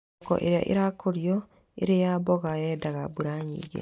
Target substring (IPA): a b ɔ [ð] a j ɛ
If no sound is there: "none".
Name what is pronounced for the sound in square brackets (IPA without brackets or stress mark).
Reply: ɣ